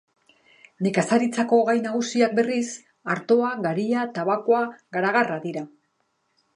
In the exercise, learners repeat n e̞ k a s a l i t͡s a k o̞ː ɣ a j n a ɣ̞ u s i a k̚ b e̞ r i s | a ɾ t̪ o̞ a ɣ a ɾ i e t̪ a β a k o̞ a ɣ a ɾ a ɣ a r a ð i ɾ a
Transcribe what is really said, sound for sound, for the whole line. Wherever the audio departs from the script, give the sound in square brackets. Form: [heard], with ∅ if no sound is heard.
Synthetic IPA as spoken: n e̞ k a s a [ɾ] i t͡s a k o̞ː ɣ a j n a ɣ̞ u s i a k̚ b e̞ r i s | a ɾ t̪ o̞ a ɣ a ɾ i [a] t̪ a β a k o̞ a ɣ a ɾ a ɣ a r a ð i ɾ a